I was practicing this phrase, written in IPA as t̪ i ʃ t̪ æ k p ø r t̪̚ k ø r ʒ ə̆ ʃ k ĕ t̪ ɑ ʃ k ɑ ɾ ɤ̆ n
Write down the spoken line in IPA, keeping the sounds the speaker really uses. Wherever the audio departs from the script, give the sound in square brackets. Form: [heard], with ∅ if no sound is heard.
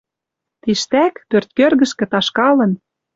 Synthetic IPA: t̪ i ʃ t̪ æ k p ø r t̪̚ k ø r [ɣ] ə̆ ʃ k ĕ t̪ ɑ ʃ k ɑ [l] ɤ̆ n